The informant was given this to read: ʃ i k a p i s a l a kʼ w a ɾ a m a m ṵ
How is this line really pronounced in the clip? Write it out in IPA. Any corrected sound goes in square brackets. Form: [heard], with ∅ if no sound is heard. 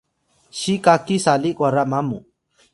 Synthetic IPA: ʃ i k a [k] i s a l [i] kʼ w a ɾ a m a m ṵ

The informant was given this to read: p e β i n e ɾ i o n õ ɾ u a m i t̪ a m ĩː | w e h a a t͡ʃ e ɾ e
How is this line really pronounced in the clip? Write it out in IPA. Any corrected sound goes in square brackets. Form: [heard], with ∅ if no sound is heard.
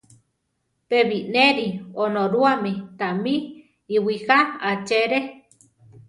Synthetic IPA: p e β i n e ɾ i o n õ ɾ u a m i t̪ a m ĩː | w [i] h a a t͡ʃ e ɾ e

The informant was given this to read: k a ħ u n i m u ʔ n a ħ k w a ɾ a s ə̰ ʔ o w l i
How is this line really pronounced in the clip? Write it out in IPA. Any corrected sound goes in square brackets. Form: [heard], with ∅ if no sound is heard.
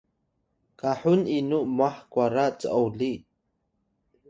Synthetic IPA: k a ħ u n i [n] u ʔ [m] a ħ k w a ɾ a [t͡s] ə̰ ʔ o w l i

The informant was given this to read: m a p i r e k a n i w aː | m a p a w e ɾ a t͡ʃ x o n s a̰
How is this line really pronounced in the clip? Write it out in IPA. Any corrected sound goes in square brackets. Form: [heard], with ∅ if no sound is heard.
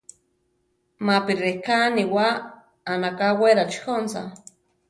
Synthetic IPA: m a p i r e k a n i w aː | [n] a [k] a w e ɾ a t͡ʃ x o n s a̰

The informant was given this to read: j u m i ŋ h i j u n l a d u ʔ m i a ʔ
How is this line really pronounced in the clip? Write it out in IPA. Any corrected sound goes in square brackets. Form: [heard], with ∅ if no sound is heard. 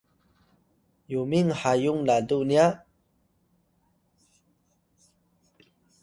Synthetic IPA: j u m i ŋ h [a] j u [ŋ] l a d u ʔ [n] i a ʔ

